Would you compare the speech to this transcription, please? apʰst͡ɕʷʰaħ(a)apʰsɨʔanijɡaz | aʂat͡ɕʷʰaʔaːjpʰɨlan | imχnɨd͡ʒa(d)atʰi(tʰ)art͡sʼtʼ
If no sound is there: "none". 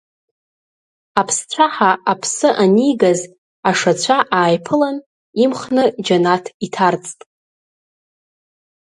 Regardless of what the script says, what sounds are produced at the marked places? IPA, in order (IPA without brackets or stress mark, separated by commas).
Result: a, n, tʰ